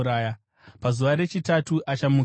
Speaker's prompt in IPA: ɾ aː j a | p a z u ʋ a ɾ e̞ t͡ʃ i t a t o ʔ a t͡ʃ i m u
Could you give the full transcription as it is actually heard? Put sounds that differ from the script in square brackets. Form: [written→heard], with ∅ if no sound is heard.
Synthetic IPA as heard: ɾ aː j a | p a z u ʋ a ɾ e̞ t͡ʃ i t a t [o→u] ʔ a t͡ʃ [i→a] m u